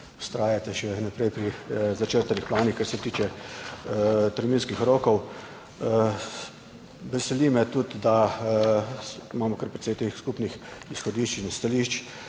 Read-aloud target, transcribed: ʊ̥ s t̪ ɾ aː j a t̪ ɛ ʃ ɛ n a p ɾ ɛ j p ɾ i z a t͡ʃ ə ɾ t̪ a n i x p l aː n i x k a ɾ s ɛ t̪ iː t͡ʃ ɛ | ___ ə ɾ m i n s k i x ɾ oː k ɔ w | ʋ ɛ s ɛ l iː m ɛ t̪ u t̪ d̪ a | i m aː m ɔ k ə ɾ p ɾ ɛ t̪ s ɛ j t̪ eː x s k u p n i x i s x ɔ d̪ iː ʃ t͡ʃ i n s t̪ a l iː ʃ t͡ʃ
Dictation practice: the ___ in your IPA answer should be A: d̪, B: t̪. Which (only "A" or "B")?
B